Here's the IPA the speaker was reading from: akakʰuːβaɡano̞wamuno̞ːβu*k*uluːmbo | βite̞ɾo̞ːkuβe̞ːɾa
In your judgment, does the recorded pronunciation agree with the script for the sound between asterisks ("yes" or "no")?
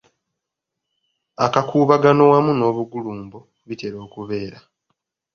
no